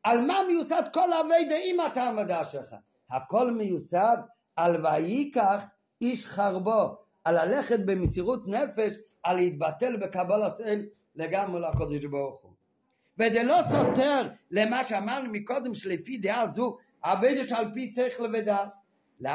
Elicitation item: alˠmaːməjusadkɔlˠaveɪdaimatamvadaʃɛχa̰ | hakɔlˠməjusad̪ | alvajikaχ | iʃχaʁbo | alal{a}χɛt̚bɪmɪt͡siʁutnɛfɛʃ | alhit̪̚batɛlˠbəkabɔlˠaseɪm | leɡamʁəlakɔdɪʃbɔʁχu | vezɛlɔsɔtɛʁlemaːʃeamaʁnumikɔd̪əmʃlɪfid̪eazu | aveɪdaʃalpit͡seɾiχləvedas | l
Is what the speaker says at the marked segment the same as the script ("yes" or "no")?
no